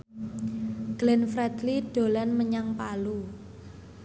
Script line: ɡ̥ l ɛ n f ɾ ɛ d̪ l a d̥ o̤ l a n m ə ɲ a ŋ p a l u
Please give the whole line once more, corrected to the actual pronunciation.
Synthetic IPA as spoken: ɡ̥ l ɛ n f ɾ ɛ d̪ l i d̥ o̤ l a n m ə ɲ a ŋ p a l u